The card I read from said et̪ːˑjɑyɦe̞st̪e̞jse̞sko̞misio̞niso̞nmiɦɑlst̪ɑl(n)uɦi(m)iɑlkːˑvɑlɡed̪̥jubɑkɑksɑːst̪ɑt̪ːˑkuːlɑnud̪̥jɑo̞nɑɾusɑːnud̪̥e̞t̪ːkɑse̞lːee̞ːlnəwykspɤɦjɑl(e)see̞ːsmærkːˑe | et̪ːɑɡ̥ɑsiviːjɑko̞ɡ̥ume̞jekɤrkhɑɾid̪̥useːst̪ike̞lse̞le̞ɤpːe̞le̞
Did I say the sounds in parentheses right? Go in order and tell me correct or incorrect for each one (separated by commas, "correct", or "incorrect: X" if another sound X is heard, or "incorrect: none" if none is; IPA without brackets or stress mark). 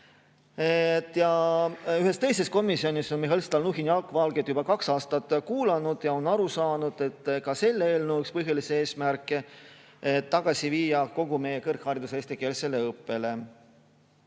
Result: correct, incorrect: n, incorrect: i